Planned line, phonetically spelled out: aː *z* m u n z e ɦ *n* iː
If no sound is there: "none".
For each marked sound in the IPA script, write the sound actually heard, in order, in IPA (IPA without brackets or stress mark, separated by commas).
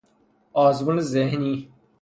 z, n